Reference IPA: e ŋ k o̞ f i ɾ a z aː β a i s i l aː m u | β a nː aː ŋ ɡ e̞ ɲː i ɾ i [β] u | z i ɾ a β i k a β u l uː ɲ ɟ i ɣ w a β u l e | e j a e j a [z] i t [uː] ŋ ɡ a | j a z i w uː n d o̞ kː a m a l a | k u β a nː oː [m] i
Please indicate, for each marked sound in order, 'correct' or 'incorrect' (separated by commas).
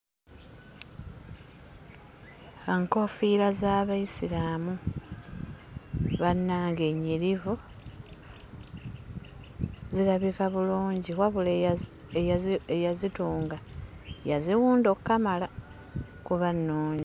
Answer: incorrect, correct, correct, incorrect